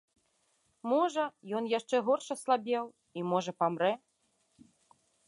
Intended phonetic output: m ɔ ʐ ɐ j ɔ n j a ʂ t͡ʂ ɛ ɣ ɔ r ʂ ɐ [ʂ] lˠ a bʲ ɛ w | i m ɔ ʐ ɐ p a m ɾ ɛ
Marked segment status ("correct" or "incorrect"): incorrect